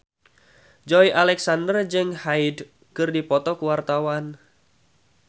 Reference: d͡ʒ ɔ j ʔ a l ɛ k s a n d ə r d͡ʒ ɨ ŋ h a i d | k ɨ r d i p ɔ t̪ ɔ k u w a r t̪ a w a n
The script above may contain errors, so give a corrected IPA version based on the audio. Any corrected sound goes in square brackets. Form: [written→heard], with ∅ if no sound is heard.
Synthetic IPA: d͡ʒ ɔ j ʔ a l ɛ k s a n d ə r d͡ʒ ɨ ŋ h a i d | k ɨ r d i p ɔ t̪ ɔ k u w a r t̪ a w a n